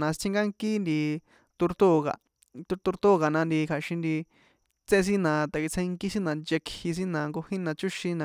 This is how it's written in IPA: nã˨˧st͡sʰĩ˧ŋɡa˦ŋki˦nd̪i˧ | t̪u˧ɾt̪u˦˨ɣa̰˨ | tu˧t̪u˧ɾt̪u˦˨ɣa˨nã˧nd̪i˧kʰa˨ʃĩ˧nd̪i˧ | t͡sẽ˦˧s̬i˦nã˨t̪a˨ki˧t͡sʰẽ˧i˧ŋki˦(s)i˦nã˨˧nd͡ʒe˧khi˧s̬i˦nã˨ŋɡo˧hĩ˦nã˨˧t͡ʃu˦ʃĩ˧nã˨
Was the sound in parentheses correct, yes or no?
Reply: yes